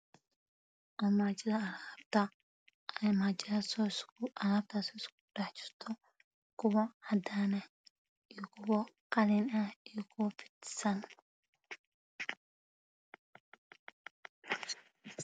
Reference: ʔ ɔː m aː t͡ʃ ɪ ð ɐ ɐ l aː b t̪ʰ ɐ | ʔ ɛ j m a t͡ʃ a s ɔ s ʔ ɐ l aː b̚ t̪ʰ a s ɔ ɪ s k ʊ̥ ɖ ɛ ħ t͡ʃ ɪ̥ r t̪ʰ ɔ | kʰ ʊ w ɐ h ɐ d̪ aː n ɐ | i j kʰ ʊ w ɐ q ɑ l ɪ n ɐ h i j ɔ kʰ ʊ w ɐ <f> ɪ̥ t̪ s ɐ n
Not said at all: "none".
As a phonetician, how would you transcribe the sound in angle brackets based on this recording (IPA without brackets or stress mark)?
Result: f